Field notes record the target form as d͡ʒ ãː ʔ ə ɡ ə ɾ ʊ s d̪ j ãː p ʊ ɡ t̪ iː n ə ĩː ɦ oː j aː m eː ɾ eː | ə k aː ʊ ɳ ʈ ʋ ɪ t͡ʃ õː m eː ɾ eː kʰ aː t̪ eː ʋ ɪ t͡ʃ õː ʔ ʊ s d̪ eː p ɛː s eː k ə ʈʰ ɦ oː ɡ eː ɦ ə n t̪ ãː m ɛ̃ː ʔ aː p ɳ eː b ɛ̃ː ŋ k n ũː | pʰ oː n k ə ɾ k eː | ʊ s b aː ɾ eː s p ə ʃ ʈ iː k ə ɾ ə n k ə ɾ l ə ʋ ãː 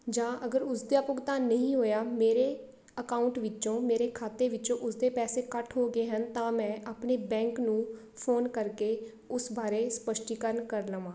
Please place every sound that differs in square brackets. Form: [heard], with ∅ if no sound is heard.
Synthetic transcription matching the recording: d͡ʒ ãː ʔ ə ɡ ə ɾ ʊ s d̪ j [aː] p ʊ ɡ t̪ [aː] n ə ĩː ɦ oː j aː m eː ɾ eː | ə k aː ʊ ɳ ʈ ʋ ɪ t͡ʃ õː m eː ɾ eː kʰ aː t̪ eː ʋ ɪ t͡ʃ õː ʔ ʊ s d̪ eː p ɛː s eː k ə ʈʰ ɦ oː ɡ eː ɦ ə n t̪ ãː m ɛ̃ː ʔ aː p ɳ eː b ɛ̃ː ŋ k n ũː | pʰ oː n k ə ɾ k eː | ʊ s b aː ɾ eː s p ə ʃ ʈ iː k ə ɾ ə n k ə ɾ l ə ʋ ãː